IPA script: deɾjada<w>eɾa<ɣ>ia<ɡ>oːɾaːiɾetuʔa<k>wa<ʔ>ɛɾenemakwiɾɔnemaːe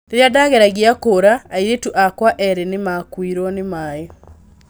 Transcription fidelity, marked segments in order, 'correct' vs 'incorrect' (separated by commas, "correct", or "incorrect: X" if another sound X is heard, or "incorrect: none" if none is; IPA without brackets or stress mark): incorrect: ɣ, correct, incorrect: k, correct, correct